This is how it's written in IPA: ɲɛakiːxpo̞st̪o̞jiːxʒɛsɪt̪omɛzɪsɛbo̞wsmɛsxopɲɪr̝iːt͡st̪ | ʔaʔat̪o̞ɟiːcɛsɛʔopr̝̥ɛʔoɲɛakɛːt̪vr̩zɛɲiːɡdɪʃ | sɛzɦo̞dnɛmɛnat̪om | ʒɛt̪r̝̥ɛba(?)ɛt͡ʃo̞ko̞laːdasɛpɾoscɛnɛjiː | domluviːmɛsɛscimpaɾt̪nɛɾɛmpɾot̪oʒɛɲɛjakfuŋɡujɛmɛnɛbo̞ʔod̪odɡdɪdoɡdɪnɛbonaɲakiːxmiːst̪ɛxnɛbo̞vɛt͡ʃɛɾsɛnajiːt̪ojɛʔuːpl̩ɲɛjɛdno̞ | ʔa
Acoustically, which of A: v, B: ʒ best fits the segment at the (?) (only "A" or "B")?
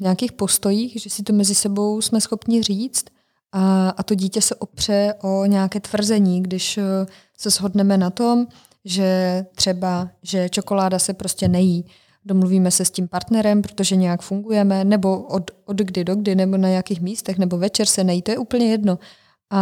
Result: B